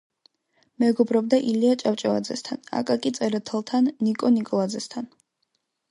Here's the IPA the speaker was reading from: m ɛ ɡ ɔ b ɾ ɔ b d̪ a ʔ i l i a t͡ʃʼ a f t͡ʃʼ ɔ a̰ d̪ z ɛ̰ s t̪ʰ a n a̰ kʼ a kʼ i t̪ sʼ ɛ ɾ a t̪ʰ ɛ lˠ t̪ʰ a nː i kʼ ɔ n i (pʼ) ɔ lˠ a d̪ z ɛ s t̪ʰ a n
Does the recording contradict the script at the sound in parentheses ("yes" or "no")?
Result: yes